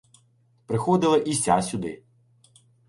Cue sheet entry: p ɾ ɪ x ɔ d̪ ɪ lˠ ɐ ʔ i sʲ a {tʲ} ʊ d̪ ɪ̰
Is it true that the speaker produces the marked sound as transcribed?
no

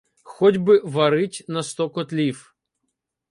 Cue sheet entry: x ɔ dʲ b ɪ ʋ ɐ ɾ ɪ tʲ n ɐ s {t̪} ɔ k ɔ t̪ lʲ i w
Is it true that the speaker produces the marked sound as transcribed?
yes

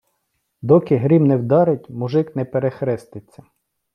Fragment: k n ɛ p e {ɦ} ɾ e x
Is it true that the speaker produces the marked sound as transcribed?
no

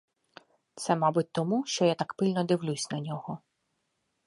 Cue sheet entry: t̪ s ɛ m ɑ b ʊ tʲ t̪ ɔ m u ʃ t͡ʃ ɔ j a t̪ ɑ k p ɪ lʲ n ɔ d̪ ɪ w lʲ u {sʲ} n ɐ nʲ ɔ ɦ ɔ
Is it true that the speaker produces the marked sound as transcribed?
yes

